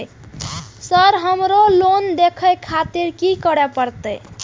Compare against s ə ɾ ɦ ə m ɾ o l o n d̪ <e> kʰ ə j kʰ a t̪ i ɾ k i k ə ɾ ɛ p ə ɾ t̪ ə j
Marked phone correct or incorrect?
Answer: correct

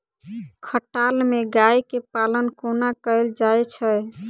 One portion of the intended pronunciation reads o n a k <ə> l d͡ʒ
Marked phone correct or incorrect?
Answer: correct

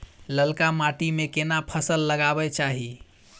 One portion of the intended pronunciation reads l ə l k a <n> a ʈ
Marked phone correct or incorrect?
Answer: incorrect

